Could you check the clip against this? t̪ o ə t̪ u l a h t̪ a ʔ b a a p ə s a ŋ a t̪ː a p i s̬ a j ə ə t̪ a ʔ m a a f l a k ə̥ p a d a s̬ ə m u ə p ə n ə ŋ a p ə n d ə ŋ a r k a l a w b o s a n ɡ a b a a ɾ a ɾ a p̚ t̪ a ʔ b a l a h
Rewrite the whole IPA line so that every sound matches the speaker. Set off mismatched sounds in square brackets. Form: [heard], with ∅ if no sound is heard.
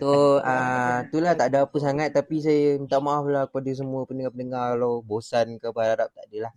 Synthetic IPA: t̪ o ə t̪ u l a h t̪ a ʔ [d] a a p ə s a ŋ a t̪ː a p i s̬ a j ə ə t̪ a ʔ m a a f l a k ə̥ p a d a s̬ ə m u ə p ə n ə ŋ a p ə n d ə ŋ a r k a l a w b o s a n [k] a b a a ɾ a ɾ a p̚ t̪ a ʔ [d] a l a h